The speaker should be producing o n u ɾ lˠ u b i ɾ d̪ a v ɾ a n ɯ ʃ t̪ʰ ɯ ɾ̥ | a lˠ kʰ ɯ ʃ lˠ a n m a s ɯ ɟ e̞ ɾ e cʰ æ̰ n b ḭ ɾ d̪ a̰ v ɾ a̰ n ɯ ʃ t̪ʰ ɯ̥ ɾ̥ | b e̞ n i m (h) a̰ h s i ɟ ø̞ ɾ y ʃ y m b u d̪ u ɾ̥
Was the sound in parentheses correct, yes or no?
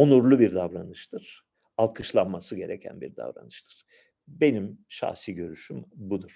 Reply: no